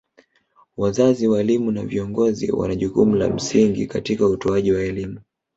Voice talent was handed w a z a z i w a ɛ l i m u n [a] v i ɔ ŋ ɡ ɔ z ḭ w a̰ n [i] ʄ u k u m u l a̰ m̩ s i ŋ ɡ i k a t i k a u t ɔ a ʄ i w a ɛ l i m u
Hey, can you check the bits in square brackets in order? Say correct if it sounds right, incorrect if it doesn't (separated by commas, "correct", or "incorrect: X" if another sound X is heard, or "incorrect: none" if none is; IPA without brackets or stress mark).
correct, incorrect: a